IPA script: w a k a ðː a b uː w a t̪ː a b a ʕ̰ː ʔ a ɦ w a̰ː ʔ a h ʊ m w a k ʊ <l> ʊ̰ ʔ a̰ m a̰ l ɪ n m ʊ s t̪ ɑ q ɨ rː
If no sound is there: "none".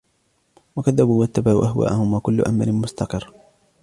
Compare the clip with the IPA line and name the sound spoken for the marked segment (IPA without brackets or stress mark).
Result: lː